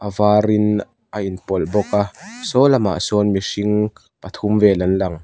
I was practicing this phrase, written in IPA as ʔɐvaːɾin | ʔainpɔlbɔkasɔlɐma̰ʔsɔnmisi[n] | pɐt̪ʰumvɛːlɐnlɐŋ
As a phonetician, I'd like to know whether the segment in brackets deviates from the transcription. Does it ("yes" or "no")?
yes